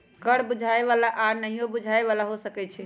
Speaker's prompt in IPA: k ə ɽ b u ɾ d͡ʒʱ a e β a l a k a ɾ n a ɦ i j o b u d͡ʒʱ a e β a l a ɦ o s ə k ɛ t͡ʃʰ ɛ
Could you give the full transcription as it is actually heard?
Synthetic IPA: k ə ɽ b u d͡ʒʱ a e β a l a ʔ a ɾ n ə ɦ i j o b u d͡ʒʱ a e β a l a ɦ o s ə k ɛ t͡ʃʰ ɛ